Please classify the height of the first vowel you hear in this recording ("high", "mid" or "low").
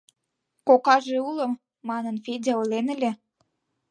mid